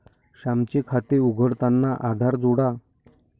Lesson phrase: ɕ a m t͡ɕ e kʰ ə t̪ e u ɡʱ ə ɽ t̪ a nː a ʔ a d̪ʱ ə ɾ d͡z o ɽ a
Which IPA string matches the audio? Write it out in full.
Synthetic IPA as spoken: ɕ a m t͡ɕ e kʰ a t̪ e u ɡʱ ə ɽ t̪ a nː a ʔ a d̪ʱ a ɾ d͡z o ɽ a